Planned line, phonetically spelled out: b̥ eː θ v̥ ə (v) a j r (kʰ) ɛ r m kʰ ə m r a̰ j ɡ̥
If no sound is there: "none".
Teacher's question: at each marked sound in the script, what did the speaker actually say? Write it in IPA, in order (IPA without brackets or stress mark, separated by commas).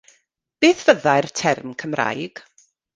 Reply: ð, tʰ